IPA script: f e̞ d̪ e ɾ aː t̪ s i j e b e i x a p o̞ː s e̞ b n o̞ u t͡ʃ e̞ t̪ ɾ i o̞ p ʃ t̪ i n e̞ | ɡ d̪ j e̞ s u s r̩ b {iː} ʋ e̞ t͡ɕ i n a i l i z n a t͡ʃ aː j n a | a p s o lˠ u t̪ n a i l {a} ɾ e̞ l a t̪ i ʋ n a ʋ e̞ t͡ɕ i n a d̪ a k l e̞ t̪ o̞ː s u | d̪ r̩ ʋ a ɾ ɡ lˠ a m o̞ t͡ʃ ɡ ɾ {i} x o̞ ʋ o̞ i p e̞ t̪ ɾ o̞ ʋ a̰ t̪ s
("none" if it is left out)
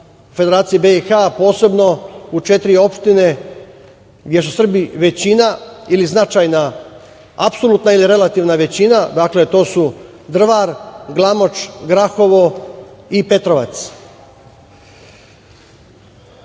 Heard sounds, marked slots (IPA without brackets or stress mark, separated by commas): i, i, a